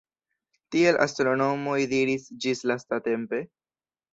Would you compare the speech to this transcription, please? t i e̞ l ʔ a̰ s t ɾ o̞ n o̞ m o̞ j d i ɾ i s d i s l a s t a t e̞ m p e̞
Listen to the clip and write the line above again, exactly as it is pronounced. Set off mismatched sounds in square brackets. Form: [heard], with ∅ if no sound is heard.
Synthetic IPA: t i e̞ l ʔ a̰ s t ɾ o̞ n o̞ m o̞ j d i ɾ i s [d͡ʒ] i s l a s t a t e̞ m p e̞